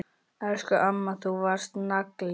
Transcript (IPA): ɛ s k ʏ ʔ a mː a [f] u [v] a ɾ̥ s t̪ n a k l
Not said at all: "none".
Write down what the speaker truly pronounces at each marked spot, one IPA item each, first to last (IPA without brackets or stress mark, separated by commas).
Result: θ, v